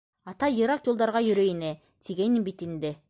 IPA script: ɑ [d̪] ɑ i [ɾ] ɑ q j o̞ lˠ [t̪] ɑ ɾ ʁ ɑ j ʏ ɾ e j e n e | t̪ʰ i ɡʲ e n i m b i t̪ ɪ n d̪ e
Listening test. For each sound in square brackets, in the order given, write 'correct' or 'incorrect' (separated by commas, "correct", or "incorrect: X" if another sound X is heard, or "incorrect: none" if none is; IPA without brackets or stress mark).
incorrect: t̪, correct, incorrect: d̪